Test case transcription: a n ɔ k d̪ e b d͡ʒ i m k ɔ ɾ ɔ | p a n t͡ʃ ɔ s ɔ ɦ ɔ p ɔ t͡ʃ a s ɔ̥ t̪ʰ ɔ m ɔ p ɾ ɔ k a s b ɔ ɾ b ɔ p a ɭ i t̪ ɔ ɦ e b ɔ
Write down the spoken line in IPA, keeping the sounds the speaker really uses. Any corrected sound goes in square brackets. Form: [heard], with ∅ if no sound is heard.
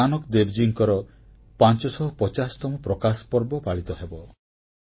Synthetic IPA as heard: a n ɔ k d̪ e b d͡ʒ i [ŋ] k ɔ ɾ ɔ | p a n t͡ʃ ɔ s ɔ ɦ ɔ p ɔ t͡ʃ a s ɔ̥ [t̪] ɔ m ɔ p ɾ ɔ k a s [p] ɔ ɾ b ɔ p a ɭ i t̪ ɔ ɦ e b ɔ